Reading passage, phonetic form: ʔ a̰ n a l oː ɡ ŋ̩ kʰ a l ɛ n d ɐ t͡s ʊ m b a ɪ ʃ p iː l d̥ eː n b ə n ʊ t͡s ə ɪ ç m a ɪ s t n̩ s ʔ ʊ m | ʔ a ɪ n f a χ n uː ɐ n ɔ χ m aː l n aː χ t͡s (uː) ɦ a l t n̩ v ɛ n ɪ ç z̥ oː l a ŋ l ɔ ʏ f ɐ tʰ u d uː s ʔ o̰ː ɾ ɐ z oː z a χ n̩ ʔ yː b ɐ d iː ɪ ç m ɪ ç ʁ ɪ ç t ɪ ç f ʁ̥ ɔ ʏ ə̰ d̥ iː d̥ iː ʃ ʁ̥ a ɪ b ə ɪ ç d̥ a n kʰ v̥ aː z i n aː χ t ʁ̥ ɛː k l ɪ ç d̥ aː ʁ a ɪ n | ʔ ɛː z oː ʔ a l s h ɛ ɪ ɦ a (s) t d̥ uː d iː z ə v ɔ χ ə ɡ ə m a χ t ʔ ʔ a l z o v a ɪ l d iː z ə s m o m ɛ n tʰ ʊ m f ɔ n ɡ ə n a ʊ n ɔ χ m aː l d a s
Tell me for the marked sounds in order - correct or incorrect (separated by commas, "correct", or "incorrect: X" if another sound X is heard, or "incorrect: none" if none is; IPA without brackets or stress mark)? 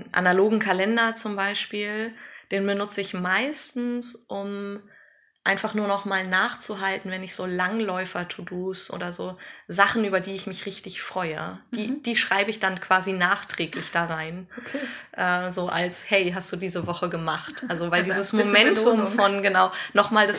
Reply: incorrect: u, correct